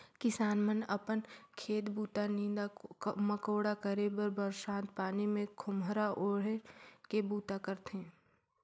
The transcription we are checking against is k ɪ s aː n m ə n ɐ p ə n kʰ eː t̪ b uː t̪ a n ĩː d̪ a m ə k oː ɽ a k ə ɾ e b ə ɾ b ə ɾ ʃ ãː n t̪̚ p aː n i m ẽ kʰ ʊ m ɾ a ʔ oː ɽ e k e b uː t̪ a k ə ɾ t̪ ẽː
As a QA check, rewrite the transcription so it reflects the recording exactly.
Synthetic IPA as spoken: k ɪ s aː n m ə n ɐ p ə n kʰ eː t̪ b uː t̪ a n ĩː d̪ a m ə k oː ɽ a k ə ɾ e b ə ɾ b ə ɾ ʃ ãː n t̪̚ p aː n i m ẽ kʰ ʊ m ɾ a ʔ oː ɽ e k e b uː t̪ a k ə ɾ t̪ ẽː